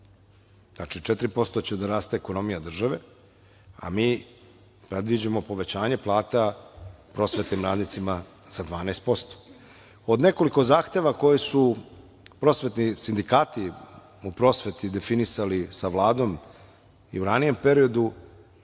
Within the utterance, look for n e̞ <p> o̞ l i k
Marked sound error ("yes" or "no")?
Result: yes